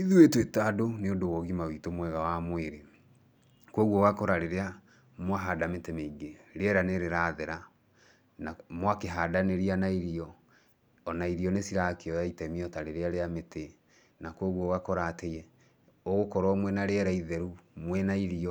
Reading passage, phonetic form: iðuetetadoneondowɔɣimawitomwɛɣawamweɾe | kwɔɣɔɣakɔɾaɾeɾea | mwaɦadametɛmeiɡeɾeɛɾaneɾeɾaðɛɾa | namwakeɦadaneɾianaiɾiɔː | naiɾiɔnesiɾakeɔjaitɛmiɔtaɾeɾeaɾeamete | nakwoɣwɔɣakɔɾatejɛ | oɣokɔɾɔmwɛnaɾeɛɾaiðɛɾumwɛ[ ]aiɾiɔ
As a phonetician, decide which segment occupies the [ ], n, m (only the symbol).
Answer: n